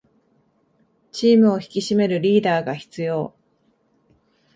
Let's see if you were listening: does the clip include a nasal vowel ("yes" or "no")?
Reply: no